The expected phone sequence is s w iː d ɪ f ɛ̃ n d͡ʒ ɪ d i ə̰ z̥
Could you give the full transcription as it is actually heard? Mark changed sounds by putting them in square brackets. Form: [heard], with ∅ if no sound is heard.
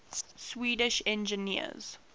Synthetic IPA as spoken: s w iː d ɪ [ʃ] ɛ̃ n d͡ʒ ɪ [n] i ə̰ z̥